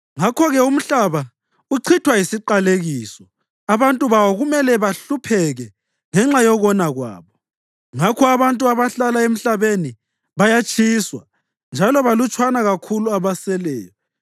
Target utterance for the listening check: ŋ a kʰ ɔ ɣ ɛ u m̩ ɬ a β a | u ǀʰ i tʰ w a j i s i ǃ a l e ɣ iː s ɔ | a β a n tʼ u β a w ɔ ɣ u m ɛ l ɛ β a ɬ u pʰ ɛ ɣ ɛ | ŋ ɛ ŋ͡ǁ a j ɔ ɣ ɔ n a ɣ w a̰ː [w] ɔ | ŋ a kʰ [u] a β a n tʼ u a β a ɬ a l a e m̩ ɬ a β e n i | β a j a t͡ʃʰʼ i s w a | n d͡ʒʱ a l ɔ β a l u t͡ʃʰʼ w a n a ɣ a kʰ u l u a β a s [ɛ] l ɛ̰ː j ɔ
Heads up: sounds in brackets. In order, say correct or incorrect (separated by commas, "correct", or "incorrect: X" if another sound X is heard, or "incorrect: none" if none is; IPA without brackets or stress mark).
incorrect: β, incorrect: ɔ, correct